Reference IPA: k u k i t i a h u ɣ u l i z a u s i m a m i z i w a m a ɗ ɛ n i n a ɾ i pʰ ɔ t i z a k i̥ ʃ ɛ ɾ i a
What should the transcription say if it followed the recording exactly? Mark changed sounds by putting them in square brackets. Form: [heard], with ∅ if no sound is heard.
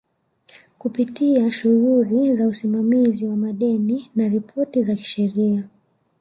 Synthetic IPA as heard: k u [p] i t i a [ʃ] u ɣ u l i z a u s i m a m i z i w a m a ɗ ɛ n i n a ɾ i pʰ ɔ t i z a k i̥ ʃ ɛ ɾ i a